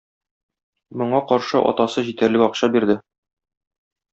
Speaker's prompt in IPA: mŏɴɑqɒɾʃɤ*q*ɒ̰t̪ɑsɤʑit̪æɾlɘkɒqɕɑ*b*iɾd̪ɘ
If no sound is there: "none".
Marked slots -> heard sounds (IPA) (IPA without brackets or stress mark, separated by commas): ʔ, b